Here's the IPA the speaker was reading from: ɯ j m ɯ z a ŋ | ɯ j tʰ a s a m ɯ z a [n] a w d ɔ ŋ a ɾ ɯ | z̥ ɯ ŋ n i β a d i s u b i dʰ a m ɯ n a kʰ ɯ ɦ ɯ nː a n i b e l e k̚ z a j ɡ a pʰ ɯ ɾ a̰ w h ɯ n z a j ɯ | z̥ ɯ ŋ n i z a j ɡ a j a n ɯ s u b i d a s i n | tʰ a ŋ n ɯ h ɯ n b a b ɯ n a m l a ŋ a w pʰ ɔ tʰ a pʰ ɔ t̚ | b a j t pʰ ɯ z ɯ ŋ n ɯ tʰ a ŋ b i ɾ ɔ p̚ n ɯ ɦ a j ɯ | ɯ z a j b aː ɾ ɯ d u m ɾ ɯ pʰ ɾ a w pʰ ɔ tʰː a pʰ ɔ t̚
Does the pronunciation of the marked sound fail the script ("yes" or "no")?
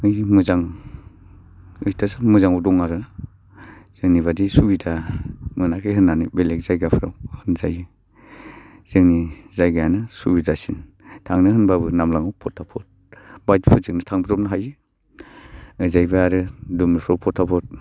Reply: yes